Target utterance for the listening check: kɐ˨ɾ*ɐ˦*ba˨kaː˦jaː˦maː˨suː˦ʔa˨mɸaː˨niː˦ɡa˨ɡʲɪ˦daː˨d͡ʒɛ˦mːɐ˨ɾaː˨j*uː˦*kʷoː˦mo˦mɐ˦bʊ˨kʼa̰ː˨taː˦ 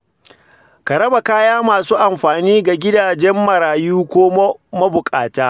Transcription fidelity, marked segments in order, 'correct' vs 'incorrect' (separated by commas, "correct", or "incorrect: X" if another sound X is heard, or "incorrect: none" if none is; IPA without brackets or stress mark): correct, correct